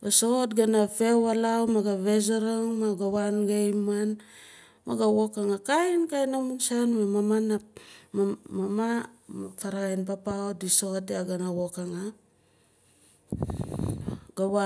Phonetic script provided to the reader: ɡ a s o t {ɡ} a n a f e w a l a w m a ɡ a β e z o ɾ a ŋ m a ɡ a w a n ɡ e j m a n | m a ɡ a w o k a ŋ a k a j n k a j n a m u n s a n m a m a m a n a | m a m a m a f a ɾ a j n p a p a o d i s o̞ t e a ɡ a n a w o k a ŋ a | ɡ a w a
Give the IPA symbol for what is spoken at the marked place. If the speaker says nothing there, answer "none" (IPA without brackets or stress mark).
ɡ